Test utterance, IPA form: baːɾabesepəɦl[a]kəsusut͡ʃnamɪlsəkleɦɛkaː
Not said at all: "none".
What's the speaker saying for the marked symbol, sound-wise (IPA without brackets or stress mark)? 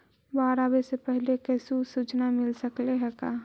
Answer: e